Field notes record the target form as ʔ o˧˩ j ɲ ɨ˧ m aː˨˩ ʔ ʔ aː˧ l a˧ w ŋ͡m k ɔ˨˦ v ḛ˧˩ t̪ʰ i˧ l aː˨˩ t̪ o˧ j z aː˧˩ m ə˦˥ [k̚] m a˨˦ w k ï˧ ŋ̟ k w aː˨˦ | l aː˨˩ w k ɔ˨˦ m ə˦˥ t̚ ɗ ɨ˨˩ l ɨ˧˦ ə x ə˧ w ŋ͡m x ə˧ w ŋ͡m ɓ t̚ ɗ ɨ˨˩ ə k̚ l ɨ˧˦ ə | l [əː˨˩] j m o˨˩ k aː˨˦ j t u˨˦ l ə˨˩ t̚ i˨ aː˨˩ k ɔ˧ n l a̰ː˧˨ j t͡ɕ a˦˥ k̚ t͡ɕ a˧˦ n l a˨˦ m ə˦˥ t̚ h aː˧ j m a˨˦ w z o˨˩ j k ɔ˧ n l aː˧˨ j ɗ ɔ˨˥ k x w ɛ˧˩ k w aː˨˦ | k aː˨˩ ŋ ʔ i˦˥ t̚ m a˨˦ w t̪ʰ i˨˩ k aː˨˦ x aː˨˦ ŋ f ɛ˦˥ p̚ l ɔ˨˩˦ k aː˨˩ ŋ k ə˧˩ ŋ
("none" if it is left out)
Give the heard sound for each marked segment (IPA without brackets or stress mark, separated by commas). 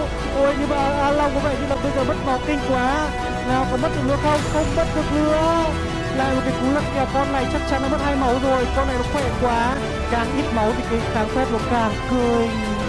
t̚, aː˨˩